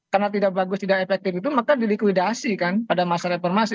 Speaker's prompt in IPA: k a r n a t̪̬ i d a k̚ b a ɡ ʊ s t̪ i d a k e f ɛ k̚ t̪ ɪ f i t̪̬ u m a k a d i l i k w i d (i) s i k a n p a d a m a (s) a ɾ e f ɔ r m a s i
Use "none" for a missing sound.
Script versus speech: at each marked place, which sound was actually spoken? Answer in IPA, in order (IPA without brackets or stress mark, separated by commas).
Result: a, s